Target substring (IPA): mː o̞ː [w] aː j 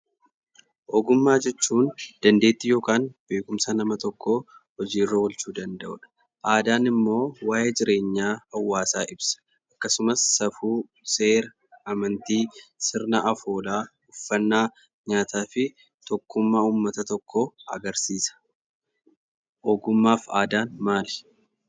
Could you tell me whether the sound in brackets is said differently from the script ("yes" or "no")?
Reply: no